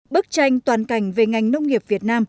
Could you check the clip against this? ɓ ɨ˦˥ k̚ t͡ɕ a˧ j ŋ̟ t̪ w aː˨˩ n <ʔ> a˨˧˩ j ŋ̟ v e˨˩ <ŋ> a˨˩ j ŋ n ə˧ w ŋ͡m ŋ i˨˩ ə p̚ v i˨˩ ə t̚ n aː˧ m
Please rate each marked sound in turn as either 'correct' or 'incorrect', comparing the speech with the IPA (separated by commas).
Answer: incorrect, correct